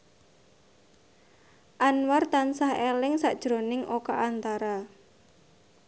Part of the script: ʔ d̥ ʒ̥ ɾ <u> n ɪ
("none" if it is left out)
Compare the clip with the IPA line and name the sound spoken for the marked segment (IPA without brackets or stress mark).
o